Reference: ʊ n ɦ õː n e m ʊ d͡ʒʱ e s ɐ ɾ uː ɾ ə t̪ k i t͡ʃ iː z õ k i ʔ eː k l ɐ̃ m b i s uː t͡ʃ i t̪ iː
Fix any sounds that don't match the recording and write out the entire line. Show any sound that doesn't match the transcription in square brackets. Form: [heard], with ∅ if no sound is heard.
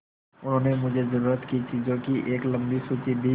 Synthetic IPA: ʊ n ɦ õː n e m ʊ d͡ʒʱ e [z] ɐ ɾ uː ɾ ə t̪ k i t͡ʃ iː z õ k i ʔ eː k l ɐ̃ m b i s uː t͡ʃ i [d̪] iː